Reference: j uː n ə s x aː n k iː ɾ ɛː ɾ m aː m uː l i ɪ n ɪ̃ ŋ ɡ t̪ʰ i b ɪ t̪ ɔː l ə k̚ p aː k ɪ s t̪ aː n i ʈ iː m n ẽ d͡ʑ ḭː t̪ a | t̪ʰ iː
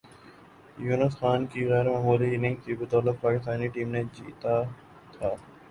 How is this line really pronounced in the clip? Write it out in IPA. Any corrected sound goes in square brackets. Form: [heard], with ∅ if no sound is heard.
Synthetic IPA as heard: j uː n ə s x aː n k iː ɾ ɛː ɾ m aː m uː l i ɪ n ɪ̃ ŋ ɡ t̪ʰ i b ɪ t̪ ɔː l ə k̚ p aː k ɪ s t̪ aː n i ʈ iː m n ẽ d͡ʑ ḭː t̪ a | t̪ʰ [aː]